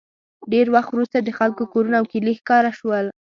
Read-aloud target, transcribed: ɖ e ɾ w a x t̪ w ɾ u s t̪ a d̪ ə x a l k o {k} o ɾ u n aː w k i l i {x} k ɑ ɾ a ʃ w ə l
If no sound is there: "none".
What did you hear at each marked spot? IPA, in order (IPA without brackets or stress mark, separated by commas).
k, x